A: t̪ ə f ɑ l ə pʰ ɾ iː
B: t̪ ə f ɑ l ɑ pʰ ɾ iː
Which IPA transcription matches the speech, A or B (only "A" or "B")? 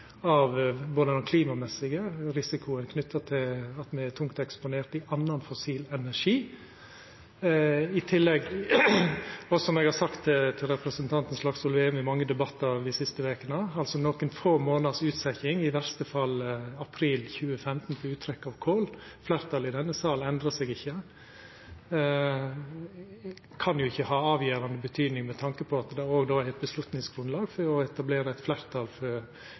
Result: B